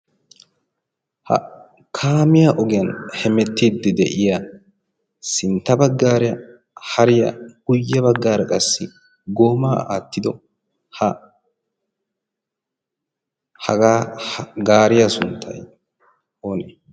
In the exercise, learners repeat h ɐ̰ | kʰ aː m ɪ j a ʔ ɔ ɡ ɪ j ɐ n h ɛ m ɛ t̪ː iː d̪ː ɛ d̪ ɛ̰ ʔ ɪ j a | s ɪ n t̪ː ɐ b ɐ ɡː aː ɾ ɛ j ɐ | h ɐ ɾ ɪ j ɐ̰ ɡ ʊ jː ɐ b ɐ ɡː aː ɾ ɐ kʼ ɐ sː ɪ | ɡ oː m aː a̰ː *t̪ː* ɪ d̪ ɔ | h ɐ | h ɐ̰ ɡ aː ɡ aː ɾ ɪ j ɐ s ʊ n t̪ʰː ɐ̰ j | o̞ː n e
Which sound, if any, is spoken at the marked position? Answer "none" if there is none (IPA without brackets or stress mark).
t̪ː